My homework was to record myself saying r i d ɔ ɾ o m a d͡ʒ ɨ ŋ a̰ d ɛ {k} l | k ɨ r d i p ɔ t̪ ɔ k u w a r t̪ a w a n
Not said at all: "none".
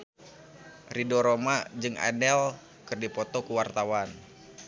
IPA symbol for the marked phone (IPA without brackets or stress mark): none